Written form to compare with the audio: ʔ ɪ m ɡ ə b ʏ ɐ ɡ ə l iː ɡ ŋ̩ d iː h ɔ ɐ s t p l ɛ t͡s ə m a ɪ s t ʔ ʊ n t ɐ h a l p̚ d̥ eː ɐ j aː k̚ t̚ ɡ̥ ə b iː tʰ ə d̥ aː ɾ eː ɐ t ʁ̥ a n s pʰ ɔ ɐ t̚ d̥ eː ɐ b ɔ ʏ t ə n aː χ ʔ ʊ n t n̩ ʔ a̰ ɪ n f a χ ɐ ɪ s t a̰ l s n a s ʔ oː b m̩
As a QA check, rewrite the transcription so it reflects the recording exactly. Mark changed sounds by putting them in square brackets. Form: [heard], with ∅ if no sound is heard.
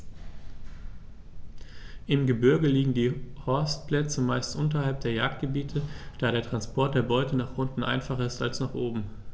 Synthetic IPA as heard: ʔ ɪ m ɡ ə b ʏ ɐ ɡ ə l iː ɡ ŋ̩ d iː h ɔ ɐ s t p l ɛ t͡s ə m a ɪ s t ʔ ʊ n t ɐ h a l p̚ d̥ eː ɐ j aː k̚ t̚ ɡ̥ ə b iː tʰ ə d̥ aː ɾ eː ɐ t ʁ̥ a n s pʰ ɔ ɐ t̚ d̥ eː ɐ b ɔ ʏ t ə n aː χ ʔ ʊ n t n̩ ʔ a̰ ɪ n f a χ ɐ ɪ s t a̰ l s n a [χ] ʔ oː b m̩